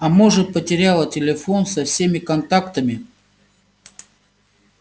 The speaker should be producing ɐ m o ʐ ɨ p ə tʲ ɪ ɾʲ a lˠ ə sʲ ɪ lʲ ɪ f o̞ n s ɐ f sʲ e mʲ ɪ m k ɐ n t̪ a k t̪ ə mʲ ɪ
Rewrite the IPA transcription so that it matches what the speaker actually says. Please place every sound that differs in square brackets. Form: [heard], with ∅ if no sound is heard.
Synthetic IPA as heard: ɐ m o ʐ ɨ p ə tʲ ɪ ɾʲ a lˠ ə [tʲ] ɪ lʲ ɪ f o̞ n s ɐ f sʲ e mʲ ɪ [∅] k ɐ n t̪ a k t̪ ə mʲ ɪ